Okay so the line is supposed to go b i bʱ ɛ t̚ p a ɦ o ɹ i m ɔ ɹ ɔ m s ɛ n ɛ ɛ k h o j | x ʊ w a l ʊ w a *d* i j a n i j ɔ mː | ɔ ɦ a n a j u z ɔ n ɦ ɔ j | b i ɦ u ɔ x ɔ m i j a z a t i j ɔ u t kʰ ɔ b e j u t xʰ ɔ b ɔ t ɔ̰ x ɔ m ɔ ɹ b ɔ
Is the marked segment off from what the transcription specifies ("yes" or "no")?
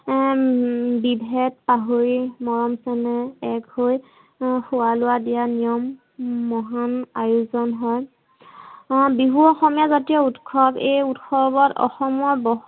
no